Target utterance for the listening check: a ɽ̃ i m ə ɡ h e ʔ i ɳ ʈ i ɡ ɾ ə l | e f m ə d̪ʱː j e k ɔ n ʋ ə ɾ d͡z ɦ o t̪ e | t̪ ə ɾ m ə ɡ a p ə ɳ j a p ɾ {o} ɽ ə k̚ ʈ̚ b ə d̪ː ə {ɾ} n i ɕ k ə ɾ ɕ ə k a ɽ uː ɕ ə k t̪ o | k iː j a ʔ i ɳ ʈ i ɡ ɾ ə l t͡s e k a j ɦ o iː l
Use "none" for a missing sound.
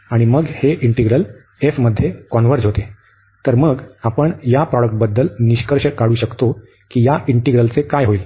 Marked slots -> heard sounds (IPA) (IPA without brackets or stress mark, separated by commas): ɔ, l